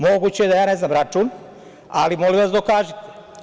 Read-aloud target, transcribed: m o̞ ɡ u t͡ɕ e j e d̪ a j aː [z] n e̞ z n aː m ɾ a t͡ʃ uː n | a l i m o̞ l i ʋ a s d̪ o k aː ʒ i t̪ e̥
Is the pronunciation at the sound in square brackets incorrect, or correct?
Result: incorrect